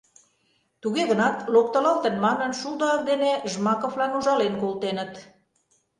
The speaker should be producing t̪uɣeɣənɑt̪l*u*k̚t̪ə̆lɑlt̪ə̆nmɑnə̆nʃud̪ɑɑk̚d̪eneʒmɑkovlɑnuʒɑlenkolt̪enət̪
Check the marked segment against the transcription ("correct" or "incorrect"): incorrect